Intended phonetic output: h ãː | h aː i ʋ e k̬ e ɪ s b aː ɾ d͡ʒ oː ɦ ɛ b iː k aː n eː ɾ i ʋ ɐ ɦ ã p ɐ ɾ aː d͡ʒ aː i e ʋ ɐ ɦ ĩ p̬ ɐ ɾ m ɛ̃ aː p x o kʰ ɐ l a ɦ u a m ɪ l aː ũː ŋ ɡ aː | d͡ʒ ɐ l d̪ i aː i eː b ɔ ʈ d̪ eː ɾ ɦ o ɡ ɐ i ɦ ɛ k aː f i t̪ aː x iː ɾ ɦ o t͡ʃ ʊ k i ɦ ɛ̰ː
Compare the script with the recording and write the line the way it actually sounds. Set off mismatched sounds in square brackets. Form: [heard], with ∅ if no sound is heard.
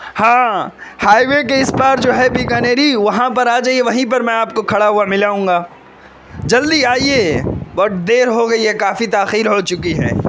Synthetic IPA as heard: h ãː | h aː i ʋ e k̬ e ɪ s b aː ɾ d͡ʒ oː ɦ ɛ b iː k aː n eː ɾ i ʋ ɐ ɦ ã p ɐ ɾ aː d͡ʒ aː i e ʋ ɐ ɦ ĩ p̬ ɐ ɾ m ɛ̃ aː p [k] o kʰ ɐ [ɽ] a ɦ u a m ɪ l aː ũː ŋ ɡ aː | d͡ʒ ɐ l d̪ i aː i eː b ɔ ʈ d̪ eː ɾ ɦ o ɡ ɐ i ɦ ɛ k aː f i t̪ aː x iː ɾ ɦ o t͡ʃ ʊ k i ɦ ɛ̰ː